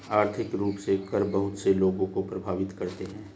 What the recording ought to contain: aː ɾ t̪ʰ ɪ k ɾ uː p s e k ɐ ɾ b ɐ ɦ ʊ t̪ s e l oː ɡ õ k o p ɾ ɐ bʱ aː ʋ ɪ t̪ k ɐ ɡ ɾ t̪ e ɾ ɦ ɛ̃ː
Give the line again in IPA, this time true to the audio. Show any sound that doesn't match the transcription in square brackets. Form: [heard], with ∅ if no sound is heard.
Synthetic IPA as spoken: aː ɾ t̪ʰ ɪ k ɾ uː p s e k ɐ ɾ b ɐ ɦ ʊ t̪ s e l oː ɡ õ k o p ɾ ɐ bʱ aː ʋ ɪ t̪ k ɐ [∅] ɾ t̪ e [∅] ɦ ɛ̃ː

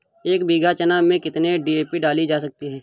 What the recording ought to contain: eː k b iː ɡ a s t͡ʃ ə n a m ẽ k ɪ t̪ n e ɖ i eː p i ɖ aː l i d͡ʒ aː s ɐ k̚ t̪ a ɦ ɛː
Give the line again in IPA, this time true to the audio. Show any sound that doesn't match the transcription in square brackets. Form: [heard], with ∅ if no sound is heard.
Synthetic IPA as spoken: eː k b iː ɡ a [∅] t͡ʃ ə n a m ẽ k ɪ t̪ n e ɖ i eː p i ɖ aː l i d͡ʒ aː s ɐ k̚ t̪ [i] ɦ ɛː

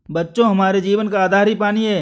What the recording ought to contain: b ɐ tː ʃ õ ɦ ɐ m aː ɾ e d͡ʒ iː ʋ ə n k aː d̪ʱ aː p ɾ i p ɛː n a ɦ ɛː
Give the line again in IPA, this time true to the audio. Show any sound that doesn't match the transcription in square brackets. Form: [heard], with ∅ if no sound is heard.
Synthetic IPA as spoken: b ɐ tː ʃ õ ɦ ɐ m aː ɾ e d͡ʒ iː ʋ ə n k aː d̪ʱ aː [∅] ɾ i p [aː] n [i] ɦ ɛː

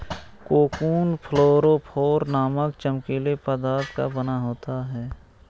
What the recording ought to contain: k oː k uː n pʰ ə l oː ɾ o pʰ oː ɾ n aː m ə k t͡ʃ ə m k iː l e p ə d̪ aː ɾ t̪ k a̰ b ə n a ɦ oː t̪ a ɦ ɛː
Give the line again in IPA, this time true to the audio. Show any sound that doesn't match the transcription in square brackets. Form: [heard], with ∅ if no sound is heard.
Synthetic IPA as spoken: k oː k uː n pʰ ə l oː ɾ o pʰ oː ɾ n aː m ə k t͡ʃ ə m k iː l e p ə d̪ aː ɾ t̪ k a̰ b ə n a ɦ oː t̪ a ɦ ɛː

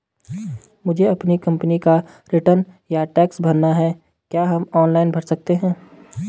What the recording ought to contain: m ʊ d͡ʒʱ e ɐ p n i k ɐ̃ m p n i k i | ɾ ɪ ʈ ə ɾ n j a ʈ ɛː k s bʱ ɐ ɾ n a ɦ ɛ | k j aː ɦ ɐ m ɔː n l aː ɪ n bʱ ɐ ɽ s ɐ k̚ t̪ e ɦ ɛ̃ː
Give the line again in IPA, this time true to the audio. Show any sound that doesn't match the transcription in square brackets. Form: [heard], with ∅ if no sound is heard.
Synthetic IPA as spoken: m ʊ d͡ʒʱ e ɐ p n i k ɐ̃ m p n i k [a] | ɾ ɪ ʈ ə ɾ n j a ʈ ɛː k s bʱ ɐ ɾ n a ɦ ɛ | k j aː ɦ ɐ m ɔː n l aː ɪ n bʱ ɐ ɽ s ɐ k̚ t̪ e ɦ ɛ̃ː

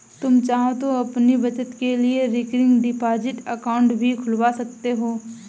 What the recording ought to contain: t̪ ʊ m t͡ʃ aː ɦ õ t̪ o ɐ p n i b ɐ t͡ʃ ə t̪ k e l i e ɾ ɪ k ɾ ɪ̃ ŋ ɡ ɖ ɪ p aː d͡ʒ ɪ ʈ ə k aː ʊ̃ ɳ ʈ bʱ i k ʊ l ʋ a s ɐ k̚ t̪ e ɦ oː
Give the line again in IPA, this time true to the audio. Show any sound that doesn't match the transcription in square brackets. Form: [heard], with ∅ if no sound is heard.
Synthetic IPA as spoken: t̪ ʊ m t͡ʃ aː ɦ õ t̪ o ɐ p n i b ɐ t͡ʃ ə t̪ k e l i e ɾ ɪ k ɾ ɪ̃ ŋ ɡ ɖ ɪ p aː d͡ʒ ɪ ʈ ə k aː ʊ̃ ɳ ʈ bʱ i [kʰ] ʊ l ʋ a s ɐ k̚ t̪ e ɦ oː

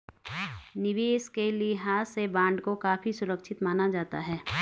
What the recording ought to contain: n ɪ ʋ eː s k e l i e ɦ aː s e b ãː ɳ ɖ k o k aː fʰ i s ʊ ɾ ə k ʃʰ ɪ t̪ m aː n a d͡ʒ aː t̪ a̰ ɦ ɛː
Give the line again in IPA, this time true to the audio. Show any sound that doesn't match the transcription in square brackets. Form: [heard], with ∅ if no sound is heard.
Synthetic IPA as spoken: n ɪ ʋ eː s k e l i e ɦ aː s e b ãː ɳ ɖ k o k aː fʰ i s ʊ ɾ ə k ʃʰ ɪ t̪ m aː n a d͡ʒ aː t̪ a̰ ɦ ɛː

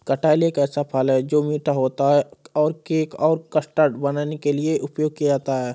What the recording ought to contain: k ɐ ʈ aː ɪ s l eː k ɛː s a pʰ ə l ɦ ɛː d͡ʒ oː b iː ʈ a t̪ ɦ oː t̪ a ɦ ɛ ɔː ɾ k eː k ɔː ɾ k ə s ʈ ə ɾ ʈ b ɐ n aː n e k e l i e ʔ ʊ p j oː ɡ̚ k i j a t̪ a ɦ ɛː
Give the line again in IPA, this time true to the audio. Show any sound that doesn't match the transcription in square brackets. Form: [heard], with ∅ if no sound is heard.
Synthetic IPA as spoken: k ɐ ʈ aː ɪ [∅] l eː k ɛː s a pʰ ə l ɦ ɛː d͡ʒ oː [m] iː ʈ a [∅] ɦ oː t̪ a ɦ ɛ ɔː ɾ k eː k ɔː ɾ k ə s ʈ ə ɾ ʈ b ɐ n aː n e k e l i e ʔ ʊ p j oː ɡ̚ k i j a t̪ a ɦ ɛː

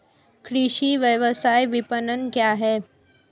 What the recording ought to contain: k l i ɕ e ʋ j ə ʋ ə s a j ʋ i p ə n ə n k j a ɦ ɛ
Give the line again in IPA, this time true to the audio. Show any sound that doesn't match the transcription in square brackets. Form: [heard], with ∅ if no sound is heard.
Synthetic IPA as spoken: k [ɾ] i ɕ [i] ʋ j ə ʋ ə s a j ʋ i p ə n ə n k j a ɦ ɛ

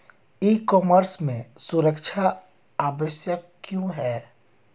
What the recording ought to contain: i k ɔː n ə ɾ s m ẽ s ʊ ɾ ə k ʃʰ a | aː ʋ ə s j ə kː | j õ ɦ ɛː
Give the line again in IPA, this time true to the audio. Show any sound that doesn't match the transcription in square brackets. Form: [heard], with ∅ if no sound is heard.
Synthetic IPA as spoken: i k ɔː [m] ə ɾ s m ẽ s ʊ ɾ ə k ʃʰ a | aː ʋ ə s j ə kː | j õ ɦ ɛː

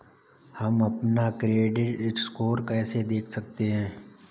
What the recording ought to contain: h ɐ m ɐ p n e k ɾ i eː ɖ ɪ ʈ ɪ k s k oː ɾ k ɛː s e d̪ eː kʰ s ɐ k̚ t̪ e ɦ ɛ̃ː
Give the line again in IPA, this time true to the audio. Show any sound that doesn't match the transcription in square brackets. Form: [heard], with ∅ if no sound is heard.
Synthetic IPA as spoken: h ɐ m ɐ p n [a] k ɾ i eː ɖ ɪ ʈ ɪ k s k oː ɾ k ɛː s e d̪ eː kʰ s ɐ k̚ t̪ e ɦ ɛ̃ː

